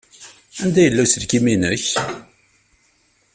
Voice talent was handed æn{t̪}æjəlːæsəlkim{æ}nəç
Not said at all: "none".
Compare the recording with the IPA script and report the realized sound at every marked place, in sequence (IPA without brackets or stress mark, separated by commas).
d̪, i